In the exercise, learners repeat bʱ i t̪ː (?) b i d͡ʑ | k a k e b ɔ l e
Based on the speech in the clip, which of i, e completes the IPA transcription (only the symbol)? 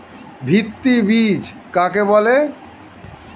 i